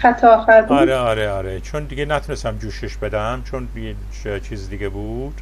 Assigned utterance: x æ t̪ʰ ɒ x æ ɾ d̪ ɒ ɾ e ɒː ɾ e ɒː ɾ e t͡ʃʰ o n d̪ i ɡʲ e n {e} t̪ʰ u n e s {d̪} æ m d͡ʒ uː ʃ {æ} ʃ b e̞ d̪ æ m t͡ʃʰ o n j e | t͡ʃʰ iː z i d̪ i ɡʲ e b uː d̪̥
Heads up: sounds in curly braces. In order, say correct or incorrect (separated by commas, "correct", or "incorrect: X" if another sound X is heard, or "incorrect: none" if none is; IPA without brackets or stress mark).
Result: incorrect: æ, incorrect: t̪, incorrect: e